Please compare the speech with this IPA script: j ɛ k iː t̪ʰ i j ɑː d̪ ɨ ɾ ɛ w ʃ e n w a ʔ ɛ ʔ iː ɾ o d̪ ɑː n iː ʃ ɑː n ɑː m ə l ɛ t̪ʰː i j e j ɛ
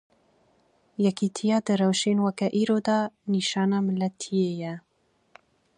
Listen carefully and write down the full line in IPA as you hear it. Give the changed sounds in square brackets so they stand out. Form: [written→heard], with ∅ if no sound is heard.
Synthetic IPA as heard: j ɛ k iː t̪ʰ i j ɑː d̪ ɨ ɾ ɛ w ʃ e n w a [ʔ→k] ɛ ʔ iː ɾ o d̪ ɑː n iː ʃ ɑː n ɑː m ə l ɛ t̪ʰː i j e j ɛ

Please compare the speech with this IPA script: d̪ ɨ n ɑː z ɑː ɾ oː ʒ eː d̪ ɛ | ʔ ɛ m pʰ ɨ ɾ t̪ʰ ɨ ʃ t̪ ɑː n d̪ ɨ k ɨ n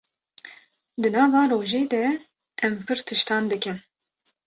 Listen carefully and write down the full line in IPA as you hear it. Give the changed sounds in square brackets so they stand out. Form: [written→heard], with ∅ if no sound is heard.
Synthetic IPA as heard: d̪ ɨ n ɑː [z→v] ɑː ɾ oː ʒ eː d̪ ɛ | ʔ ɛ m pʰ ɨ ɾ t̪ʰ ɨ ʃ t̪ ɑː n d̪ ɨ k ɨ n

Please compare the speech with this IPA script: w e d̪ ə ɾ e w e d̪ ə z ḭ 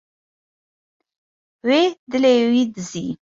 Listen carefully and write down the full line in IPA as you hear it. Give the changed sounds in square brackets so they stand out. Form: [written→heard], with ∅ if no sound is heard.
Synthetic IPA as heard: w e d̪ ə [ɾ→l] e w [e→i] d̪ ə z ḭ

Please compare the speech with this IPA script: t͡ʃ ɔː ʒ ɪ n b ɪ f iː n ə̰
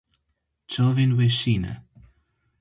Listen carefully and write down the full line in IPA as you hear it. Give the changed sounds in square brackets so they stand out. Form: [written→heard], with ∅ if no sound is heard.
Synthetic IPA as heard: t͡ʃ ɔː [ʒ→v] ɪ n [b→w] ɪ [f→ʃ] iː n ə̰

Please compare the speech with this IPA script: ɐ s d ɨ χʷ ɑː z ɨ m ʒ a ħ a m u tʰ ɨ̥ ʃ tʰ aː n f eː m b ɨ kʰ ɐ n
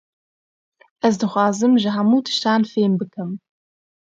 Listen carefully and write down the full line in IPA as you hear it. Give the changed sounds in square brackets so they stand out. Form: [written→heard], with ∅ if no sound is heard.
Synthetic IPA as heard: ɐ [s→z] d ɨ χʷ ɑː z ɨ m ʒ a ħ a m u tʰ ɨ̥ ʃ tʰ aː n f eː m b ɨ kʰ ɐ [n→m]

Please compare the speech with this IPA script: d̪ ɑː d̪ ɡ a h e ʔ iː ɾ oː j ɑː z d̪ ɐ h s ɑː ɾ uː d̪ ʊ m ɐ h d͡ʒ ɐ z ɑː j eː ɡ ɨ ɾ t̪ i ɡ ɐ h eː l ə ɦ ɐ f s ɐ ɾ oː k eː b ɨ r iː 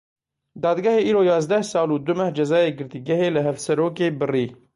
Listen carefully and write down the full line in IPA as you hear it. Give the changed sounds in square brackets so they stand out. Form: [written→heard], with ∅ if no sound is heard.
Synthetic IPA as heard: d̪ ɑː d̪ ɡ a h e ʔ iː ɾ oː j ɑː z d̪ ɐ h s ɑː [ɾ→l] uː d̪ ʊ m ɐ h d͡ʒ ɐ z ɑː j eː ɡ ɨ ɾ t̪ i ɡ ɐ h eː l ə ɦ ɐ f s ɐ ɾ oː k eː b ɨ r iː

